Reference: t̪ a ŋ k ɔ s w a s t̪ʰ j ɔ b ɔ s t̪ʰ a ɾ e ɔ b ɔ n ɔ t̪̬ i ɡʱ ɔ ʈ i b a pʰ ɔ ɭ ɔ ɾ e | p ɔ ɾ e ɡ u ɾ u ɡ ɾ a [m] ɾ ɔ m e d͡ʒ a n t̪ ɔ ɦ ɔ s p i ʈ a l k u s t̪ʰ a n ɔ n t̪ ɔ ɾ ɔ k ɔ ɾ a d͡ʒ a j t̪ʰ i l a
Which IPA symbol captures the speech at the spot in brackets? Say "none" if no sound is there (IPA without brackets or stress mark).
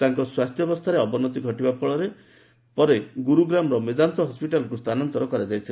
m